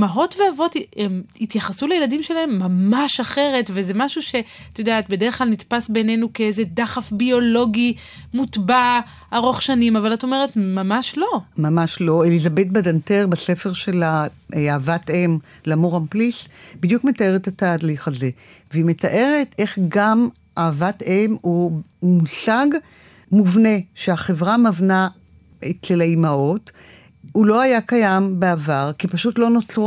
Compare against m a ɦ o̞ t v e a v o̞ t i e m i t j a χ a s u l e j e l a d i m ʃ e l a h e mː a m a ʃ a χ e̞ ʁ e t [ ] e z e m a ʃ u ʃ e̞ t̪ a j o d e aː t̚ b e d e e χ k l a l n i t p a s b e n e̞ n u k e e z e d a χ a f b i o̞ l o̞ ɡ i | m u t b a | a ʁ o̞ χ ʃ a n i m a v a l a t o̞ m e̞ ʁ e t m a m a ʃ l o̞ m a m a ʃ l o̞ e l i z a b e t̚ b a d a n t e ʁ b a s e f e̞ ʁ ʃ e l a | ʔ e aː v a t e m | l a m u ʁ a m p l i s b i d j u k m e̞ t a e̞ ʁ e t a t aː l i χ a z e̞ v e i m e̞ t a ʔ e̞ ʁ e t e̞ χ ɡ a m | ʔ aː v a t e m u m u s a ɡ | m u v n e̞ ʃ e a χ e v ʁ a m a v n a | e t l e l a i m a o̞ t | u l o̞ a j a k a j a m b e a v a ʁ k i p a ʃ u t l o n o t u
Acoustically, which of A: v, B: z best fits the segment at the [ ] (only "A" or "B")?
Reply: A